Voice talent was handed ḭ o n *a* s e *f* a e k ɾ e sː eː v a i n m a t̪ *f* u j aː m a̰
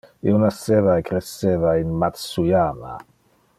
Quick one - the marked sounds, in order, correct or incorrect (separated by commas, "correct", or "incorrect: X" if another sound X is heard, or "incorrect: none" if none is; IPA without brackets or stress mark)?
correct, incorrect: v, incorrect: s